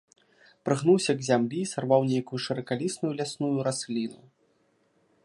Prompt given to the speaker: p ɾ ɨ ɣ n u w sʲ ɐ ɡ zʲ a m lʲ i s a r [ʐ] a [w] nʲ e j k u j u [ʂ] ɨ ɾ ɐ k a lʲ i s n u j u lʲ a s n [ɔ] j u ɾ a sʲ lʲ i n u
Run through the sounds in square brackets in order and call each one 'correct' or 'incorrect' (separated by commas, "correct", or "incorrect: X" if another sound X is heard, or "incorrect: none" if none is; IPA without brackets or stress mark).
incorrect: v, correct, correct, incorrect: u